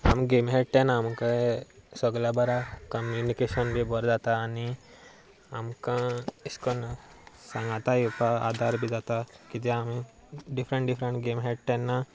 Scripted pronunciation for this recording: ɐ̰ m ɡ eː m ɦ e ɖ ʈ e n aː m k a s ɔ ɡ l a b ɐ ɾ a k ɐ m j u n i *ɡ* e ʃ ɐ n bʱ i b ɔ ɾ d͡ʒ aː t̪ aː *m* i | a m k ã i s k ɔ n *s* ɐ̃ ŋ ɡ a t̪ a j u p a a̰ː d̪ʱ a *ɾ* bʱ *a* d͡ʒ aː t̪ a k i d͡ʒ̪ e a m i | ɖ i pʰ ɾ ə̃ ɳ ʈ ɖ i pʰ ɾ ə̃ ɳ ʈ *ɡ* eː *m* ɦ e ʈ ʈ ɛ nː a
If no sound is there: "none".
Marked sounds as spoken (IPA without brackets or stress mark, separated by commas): k, n, s, ɾ, i, ɡ, m